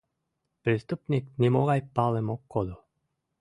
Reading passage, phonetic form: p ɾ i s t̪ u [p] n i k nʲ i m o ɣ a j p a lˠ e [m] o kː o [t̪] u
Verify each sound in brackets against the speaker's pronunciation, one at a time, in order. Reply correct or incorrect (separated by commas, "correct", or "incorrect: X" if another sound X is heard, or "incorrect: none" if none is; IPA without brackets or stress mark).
correct, correct, incorrect: d̪